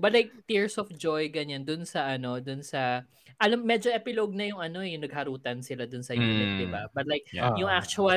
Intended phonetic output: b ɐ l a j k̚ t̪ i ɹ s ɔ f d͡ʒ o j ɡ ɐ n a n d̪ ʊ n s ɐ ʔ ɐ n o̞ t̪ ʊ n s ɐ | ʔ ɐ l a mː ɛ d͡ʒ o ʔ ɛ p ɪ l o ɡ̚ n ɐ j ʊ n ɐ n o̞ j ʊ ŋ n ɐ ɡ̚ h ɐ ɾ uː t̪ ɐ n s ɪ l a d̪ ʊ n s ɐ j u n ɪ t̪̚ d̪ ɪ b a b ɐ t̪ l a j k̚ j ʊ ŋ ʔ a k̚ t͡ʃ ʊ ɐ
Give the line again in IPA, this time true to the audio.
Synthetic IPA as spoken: b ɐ l a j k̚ t̪ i ɹ s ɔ f d͡ʒ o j ɡ ɐ ɲ a n d̪ ʊ n s ɐ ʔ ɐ n o̞ d̪ ʊ n s ɐ | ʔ ɐ l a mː ɛ d͡ʒ o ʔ ɛ p ɪ l o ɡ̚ n ɐ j ʊ ŋ ɐ n o̞ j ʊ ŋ n ɐ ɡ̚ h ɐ ɾ uː t̪ ɐ n s ɪ l a d̪ ʊ n s ɐ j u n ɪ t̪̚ d̪ ɪ b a b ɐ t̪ l a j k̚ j ʊ ŋ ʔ a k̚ t͡ʃ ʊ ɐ